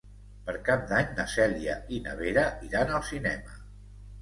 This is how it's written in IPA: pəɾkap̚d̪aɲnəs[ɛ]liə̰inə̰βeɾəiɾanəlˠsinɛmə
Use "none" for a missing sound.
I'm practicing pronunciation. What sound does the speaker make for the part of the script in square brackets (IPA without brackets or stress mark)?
ɛ